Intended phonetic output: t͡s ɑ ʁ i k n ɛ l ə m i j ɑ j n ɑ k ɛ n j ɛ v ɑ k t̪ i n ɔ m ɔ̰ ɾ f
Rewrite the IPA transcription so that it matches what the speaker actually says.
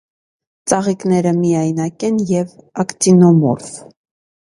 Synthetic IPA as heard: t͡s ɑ ʁ i k n ɛ ɾ ə m i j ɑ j n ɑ k ɛ n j ɛ v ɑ k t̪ i n ɔ m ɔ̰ ɾ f